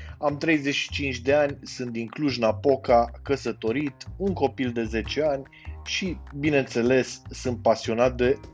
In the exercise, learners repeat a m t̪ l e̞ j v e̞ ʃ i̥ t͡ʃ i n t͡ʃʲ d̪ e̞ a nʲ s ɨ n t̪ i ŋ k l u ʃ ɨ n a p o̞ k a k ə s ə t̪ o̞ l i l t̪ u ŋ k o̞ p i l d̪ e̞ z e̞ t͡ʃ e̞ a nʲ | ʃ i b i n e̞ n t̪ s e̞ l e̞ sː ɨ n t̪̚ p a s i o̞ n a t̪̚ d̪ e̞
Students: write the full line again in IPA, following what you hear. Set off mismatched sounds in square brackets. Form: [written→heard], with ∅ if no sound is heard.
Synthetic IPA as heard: a m t̪ [l→ɾ] e̞ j [v→z] e̞ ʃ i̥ t͡ʃ i n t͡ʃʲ d̪ e̞ a nʲ s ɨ n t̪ i ŋ k l u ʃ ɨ n a p o̞ k a k ə s ə t̪ o̞ [l→ɾ] i [l→∅] t̪ u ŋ k o̞ p i l d̪ e̞ z e̞ t͡ʃ e̞ a nʲ | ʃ i b i n e̞ n t̪ s e̞ l e̞ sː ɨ n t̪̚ p a s i o̞ n a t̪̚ d̪ e̞